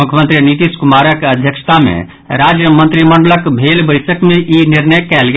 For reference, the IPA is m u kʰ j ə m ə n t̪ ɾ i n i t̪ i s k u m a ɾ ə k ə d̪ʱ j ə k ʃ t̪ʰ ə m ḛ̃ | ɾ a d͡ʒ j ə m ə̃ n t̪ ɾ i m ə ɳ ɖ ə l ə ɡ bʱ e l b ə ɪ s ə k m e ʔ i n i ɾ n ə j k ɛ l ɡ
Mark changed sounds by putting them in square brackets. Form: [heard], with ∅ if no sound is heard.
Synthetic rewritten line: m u kʰ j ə m ə n t̪ ɾ i n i t̪ i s k u m a ɾ ə k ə d̪ʱ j ə k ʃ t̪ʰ [a] m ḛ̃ | ɾ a d͡ʒ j ə m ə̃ n t̪ ɾ i m ə ɳ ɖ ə l ə [k] bʱ e l b ə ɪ s ə k m e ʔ i n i ɾ n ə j k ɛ l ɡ